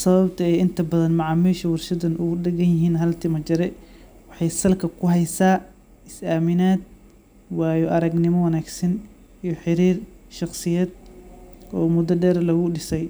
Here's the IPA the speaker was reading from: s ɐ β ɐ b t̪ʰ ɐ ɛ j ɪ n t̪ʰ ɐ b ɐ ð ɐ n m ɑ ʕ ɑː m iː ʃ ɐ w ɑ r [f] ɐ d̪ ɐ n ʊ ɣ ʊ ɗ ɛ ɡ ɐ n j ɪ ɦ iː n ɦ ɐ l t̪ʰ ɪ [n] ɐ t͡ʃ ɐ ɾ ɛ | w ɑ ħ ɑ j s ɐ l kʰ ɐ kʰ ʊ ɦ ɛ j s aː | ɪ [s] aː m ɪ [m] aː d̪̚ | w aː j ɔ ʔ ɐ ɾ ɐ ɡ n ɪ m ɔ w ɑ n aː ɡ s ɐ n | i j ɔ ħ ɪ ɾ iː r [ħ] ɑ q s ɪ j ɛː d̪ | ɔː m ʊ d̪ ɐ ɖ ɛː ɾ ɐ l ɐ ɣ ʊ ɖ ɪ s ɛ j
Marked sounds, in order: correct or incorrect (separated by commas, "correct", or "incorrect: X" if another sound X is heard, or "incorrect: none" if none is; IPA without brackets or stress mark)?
incorrect: ʃ, incorrect: m, correct, incorrect: n, incorrect: ʃ